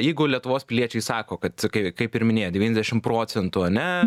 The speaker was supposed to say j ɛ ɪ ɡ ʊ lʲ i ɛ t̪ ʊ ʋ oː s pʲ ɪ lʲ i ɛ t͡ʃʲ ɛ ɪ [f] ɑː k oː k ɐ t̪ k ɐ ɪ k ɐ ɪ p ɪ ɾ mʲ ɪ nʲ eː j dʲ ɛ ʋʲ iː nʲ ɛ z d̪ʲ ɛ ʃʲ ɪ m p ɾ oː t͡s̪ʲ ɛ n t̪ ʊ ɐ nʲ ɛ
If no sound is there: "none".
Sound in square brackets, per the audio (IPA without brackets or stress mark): s